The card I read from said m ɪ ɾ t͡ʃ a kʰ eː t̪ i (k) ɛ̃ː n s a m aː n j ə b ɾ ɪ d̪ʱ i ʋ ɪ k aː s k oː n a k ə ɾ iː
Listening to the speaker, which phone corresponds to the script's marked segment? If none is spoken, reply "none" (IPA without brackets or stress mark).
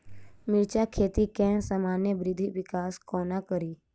k